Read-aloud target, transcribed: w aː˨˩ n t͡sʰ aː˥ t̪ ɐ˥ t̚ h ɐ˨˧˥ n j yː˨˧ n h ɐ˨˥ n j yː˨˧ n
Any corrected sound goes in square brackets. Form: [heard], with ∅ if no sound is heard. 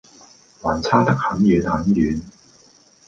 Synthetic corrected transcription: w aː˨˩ n t͡sʰ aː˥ t̪ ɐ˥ [k̚] h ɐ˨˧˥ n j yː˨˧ n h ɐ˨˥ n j yː˨˧ n